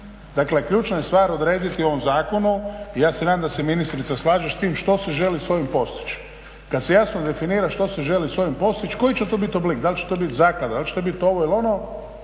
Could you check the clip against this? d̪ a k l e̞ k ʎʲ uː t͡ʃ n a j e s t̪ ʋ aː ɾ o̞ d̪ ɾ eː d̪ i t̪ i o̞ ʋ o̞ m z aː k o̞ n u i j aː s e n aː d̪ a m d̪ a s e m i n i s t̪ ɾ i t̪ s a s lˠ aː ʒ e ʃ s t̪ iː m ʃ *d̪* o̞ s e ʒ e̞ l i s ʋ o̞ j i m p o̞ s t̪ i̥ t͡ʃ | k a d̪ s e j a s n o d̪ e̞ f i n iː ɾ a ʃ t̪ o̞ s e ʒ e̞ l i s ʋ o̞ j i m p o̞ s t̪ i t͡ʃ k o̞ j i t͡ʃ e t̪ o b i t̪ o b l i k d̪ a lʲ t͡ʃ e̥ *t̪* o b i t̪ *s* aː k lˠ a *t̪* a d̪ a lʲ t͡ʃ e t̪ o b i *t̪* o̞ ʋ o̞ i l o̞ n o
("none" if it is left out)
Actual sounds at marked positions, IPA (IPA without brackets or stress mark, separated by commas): t̪, t̪, z, d̪, t̪